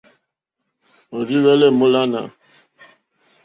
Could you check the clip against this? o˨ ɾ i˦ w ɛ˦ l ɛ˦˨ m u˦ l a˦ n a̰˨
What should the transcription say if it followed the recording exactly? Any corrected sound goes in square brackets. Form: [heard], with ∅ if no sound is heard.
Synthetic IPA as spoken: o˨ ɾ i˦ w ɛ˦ l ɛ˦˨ m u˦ l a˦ n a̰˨